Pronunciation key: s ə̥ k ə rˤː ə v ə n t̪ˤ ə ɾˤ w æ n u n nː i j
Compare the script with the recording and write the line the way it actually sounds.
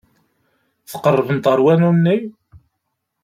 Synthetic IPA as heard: θ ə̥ q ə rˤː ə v ə n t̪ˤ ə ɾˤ w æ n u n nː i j

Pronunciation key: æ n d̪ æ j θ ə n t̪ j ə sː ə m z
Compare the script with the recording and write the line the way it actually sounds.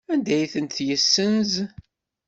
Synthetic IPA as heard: æ n d̪ æ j θ ə n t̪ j ə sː ə n z

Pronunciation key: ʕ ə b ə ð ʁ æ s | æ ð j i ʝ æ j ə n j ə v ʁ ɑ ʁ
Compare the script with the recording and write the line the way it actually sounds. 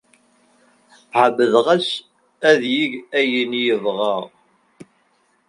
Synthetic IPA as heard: ʕ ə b ə ð ʁ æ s | æ ð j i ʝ æ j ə n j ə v ʁ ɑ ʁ

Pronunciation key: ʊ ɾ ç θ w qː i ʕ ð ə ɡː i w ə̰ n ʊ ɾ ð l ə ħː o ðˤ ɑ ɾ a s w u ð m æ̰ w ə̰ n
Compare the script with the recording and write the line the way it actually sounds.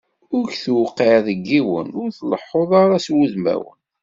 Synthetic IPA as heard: ʊ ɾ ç θ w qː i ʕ ð ə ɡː i w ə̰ n ʊ ɾ θ l ə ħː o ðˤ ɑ ɾ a s w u ð m æ̰ w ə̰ n

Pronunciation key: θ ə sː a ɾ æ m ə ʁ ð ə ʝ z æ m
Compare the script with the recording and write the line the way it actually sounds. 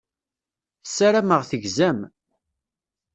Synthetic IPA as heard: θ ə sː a ɾ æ m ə ʁ θ ə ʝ z æ m

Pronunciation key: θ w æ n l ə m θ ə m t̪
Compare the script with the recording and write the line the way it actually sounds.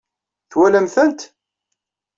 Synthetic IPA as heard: θ w æ l ə m θ ə n t̪

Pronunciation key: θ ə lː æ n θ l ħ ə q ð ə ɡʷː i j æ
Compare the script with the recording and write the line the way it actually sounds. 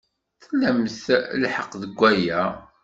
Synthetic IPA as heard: θ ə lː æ m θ l ħ ə q ð ə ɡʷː æ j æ

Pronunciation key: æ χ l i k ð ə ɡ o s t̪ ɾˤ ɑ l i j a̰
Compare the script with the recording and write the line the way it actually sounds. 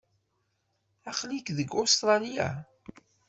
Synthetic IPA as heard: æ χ l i k ð ə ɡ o s t̪ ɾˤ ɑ l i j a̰

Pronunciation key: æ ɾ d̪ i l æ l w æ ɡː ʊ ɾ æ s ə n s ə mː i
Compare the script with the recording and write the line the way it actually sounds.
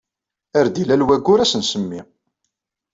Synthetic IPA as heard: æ ɾ d̪ i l æ l w æ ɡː ʊ ɾ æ s ə n s ə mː i

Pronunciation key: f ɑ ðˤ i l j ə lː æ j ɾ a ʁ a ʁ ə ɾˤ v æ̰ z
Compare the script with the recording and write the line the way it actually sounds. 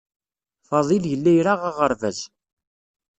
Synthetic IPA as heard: f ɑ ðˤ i l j ə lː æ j ɾ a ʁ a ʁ ə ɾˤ v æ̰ z

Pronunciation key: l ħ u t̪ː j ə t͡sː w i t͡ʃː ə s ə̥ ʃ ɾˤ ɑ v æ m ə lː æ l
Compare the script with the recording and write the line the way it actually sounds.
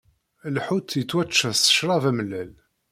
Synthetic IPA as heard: l ħ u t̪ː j ə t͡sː w æ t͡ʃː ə s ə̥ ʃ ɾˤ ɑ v æ m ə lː æ l

